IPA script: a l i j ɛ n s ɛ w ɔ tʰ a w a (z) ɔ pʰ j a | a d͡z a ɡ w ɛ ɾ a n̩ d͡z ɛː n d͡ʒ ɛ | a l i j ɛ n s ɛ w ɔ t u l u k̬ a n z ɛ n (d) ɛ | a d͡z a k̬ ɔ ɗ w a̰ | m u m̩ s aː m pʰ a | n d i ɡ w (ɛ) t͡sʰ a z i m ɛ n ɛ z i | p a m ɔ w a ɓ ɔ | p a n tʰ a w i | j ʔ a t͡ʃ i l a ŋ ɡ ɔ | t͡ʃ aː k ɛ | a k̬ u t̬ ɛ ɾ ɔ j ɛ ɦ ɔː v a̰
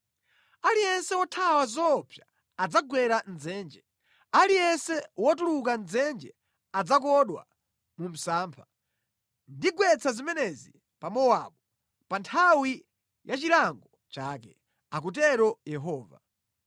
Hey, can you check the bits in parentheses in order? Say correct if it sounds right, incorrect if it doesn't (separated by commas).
correct, incorrect, correct